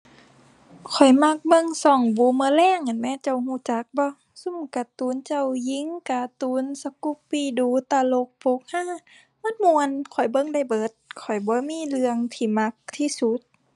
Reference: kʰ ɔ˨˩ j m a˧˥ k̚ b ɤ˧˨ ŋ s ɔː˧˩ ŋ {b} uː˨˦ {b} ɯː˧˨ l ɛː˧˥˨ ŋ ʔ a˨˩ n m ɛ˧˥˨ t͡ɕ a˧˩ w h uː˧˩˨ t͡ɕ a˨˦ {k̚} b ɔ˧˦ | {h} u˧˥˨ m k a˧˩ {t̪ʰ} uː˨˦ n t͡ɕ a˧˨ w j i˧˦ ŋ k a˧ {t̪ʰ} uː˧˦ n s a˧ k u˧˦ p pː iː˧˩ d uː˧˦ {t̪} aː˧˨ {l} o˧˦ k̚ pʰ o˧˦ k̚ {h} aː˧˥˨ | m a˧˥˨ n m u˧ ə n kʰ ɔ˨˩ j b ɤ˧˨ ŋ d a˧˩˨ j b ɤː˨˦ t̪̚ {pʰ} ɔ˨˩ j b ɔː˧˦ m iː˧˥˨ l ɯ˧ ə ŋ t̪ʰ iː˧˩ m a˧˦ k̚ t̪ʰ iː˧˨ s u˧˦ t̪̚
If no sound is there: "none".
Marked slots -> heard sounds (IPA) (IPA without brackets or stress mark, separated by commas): b, m, k̚, s, t̪, t̪, t̪, l, h, kʰ